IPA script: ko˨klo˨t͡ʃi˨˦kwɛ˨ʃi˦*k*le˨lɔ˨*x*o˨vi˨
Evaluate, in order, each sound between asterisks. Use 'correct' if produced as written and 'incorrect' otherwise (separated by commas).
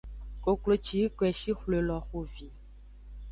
incorrect, correct